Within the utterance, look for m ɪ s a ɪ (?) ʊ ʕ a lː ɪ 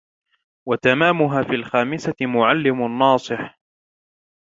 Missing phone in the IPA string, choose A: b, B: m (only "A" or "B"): B